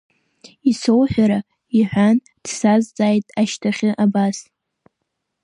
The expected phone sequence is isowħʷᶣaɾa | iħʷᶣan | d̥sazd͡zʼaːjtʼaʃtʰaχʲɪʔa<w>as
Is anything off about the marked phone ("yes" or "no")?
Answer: yes